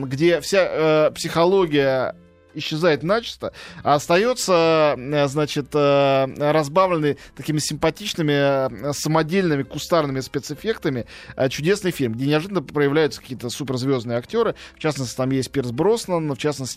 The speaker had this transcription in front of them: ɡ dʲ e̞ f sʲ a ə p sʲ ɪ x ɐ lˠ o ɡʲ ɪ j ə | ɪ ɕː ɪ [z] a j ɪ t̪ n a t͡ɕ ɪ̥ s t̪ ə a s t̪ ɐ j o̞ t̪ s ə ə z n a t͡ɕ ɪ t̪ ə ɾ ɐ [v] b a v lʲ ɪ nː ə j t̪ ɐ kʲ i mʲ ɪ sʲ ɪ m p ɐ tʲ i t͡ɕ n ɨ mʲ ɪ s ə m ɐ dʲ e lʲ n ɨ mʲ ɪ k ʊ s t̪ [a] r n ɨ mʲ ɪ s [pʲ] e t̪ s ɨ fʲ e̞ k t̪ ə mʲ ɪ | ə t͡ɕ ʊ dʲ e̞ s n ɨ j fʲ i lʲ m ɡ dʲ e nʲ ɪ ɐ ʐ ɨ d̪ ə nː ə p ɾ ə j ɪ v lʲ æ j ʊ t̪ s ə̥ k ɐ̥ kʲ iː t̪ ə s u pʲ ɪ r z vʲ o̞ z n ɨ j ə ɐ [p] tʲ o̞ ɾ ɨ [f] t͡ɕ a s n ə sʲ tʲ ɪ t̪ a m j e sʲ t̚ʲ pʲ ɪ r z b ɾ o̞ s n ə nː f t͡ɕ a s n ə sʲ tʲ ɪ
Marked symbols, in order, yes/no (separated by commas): yes, no, yes, yes, no, yes